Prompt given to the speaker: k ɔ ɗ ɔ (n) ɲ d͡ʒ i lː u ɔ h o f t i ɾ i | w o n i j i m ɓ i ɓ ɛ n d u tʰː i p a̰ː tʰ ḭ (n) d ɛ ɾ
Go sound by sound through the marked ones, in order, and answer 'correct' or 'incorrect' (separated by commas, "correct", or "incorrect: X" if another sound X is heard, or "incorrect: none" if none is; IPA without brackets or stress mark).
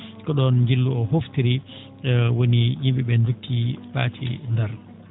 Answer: correct, correct